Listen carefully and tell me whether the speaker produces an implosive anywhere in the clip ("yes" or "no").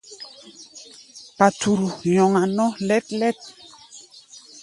no